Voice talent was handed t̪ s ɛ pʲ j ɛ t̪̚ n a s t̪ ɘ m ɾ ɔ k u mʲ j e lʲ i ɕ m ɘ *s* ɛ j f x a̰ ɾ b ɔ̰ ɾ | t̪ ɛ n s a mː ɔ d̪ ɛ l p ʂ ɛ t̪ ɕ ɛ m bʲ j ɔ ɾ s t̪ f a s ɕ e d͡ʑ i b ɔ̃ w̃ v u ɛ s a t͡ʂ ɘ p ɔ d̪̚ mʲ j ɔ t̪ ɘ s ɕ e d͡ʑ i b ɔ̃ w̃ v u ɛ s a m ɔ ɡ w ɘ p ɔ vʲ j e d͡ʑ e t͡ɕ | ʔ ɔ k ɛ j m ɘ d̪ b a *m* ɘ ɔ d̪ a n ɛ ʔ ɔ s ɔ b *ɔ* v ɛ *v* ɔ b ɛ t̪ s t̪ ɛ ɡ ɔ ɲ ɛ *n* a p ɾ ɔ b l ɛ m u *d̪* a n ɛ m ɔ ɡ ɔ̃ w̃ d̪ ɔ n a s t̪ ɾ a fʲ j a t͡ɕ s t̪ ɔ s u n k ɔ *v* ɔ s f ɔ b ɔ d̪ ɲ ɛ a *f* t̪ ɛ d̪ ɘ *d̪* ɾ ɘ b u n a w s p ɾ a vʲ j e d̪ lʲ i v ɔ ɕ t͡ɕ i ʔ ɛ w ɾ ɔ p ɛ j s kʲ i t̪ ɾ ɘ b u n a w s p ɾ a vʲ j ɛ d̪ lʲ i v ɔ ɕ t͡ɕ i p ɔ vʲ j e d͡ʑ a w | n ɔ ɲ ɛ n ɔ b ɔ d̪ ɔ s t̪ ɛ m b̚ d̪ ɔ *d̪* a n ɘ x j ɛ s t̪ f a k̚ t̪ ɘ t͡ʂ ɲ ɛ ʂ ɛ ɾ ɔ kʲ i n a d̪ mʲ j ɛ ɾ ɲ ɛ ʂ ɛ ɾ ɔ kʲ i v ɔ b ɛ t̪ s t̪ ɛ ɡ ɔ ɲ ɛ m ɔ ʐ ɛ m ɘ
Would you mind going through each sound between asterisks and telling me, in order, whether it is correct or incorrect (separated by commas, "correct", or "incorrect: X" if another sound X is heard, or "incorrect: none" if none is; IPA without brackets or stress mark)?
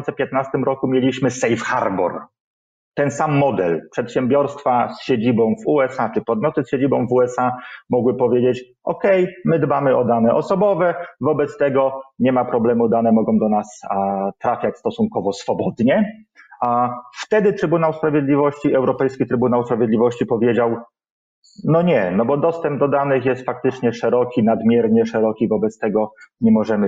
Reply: correct, correct, correct, correct, incorrect: m, correct, correct, correct, incorrect: t̪, correct